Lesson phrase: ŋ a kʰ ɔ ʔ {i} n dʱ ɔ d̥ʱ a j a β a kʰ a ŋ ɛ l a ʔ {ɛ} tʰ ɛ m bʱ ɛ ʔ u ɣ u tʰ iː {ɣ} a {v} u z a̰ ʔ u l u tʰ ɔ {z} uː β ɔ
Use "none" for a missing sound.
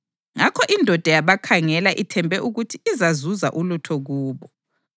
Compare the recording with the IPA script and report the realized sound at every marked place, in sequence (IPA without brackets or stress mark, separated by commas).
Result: i, i, z, z, ɣ